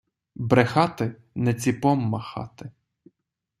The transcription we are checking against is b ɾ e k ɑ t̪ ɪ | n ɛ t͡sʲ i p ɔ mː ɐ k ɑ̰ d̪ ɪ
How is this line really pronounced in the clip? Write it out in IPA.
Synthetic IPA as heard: b ɾ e x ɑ t̪ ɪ | n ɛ t͡sʲ i p ɔ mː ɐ x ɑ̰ t̪ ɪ